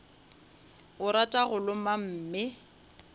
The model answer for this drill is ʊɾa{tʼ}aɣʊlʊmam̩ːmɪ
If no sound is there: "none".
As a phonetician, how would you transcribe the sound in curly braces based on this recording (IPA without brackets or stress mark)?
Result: tʼ